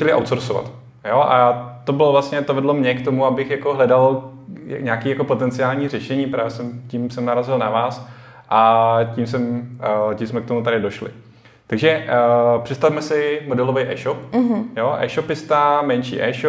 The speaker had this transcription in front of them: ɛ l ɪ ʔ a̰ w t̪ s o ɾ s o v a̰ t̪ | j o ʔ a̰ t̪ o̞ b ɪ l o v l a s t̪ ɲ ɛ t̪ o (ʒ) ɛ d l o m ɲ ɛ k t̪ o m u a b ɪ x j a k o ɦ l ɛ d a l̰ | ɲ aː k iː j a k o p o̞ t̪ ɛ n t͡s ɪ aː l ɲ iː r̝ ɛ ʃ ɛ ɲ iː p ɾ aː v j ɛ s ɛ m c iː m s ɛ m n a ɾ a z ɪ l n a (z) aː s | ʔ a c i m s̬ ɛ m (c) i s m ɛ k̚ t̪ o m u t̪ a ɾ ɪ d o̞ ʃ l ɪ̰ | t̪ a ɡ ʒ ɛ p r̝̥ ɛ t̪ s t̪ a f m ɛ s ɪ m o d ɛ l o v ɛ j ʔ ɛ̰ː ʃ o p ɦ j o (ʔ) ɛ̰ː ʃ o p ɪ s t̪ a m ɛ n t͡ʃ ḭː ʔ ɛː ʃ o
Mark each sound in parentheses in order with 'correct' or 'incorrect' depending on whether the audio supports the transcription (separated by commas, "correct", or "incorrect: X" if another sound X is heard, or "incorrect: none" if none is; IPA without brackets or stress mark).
incorrect: v, incorrect: v, correct, correct